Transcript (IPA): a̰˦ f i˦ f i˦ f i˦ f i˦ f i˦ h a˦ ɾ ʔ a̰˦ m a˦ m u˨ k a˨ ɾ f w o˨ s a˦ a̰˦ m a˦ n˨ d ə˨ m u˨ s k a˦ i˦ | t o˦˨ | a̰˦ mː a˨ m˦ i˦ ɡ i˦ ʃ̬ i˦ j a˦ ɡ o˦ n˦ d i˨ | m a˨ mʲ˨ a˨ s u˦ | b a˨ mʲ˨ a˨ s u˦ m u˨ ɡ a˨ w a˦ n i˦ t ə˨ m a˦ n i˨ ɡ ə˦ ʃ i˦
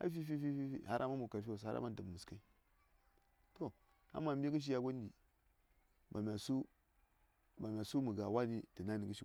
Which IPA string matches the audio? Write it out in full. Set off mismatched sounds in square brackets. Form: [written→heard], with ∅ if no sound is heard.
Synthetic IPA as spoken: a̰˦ f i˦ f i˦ f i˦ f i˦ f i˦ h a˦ ɾ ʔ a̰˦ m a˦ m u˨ k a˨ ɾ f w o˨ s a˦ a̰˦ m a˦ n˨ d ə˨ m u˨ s k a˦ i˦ | t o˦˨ | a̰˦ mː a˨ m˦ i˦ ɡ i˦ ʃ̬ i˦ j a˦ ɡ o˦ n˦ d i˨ | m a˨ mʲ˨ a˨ s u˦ | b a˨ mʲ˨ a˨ s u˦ m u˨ ɡ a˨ w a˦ n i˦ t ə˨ [m→n] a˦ n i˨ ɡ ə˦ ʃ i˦